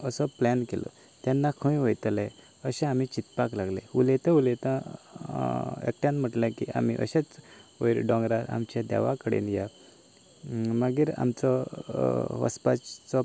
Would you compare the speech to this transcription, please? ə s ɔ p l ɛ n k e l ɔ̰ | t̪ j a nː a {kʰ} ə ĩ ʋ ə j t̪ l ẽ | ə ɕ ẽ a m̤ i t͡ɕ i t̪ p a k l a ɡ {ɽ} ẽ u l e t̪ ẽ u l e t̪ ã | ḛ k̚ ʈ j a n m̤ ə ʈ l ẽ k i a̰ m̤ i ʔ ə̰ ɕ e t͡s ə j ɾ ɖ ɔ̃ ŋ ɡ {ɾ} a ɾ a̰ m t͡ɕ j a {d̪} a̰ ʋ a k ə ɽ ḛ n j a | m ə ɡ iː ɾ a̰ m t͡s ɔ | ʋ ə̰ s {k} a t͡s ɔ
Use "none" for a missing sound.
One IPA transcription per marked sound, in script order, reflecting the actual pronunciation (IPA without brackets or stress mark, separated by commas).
kʰ, l, ɾ, d̪, p